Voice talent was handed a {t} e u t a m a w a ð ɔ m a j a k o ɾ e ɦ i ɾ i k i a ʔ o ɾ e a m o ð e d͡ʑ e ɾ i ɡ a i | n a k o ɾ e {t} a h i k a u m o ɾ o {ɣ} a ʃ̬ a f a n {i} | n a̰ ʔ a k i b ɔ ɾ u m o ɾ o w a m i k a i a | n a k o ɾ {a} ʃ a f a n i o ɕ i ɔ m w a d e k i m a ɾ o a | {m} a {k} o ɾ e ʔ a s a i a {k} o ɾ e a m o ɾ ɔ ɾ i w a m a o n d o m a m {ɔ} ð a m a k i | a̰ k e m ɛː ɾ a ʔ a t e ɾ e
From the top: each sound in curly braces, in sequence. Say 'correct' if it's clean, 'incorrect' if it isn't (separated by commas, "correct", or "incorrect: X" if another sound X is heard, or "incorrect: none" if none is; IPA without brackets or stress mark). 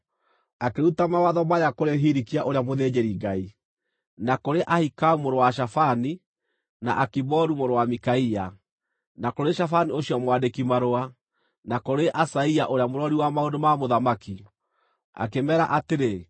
incorrect: k, incorrect: ʔ, incorrect: w, correct, incorrect: e, incorrect: n, correct, incorrect: ʔ, incorrect: o